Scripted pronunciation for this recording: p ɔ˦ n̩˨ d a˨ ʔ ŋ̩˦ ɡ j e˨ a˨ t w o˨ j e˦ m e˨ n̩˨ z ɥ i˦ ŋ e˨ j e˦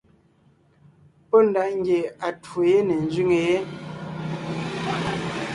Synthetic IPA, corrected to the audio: p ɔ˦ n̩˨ d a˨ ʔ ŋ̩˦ ɡ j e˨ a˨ t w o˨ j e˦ n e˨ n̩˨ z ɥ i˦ ŋ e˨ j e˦